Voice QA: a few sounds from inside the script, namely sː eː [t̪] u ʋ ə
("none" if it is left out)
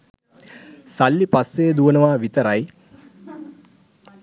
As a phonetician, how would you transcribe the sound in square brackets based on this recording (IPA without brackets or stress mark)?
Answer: d̪